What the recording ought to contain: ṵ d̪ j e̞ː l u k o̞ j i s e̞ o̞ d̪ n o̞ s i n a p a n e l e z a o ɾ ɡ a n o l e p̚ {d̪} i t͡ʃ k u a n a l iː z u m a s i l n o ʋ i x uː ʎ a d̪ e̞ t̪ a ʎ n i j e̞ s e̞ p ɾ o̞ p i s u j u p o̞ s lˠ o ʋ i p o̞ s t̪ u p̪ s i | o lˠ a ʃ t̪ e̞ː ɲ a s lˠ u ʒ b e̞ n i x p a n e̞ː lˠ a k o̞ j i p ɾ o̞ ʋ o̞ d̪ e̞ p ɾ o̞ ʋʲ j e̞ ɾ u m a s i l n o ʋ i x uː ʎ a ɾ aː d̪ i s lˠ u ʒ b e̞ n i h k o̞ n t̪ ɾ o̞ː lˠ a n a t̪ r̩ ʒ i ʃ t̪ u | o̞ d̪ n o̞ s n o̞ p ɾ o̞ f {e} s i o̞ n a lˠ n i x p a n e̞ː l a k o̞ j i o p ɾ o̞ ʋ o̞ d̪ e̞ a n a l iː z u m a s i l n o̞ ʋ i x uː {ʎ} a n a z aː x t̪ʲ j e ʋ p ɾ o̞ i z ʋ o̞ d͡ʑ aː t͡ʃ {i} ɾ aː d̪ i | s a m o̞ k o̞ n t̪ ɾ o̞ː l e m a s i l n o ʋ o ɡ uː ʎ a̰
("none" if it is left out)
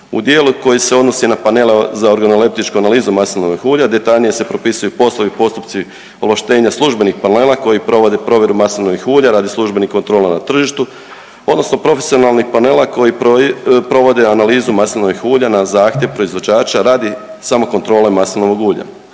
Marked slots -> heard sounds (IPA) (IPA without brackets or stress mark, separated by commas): t̪, e, ʎ, a